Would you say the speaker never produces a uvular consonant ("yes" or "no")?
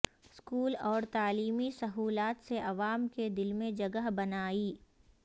yes